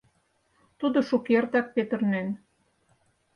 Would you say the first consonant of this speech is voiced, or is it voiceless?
voiceless